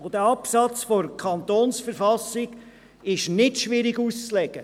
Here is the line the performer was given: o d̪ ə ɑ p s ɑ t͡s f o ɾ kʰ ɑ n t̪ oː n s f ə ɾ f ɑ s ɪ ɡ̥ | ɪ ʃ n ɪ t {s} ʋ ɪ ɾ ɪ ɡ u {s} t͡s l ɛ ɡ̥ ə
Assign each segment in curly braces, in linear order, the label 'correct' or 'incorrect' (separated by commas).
incorrect, correct